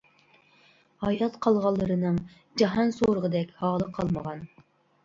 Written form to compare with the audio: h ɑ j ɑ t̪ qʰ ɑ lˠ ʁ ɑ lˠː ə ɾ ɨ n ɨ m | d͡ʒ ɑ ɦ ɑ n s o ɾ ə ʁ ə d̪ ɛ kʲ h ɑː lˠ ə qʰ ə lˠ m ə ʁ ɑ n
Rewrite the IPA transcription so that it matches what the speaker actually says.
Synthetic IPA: h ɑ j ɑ t̪ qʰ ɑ lˠ ʁ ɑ lˠː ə ɾ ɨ n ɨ ŋ | d͡ʒ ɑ ɦ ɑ n s o ɾ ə ʁ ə d̪ ɛ kʲ h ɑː lˠ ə qʰ ɑ lˠ m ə ʁ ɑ n

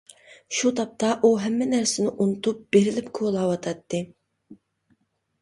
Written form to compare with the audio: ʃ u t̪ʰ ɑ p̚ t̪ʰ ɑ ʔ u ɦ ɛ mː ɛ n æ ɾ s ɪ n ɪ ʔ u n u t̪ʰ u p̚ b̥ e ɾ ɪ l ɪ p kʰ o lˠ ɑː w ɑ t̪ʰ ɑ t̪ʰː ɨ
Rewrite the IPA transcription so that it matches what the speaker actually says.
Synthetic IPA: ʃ u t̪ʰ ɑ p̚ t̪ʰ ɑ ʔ u ɦ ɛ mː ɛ n æ ɾ s ɪ n ɪ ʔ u n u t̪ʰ u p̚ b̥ e ɾ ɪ l ɪ p kʰ o lˠ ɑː w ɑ t̪ʰ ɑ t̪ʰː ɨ

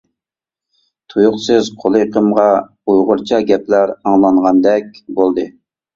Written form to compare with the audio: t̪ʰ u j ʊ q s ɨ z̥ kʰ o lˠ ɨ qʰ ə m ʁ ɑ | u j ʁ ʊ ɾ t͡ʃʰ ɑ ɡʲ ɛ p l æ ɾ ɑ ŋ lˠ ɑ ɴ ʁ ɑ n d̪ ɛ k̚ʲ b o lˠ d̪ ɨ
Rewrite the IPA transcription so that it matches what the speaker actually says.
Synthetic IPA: t̪ʰ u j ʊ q s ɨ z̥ qʰ o lˠ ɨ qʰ ə m ʁ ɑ | u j ʁ ʊ ɾ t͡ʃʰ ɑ ɡʲ ɛ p l æ ɾ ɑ ŋ lˠ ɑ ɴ ʁ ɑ n d̪ ɛ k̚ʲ b o lˠ d̪ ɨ

